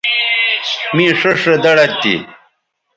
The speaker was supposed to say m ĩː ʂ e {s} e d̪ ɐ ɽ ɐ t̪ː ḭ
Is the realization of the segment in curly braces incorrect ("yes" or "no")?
yes